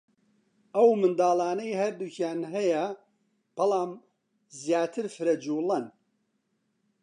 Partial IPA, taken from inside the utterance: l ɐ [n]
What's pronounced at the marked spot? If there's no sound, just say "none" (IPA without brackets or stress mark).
n